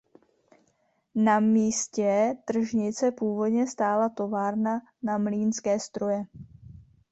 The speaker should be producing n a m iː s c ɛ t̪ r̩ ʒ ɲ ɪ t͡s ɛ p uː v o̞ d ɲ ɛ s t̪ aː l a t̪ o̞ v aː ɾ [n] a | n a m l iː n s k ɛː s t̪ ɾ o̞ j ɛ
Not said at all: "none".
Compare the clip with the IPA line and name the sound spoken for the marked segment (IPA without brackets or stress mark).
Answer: n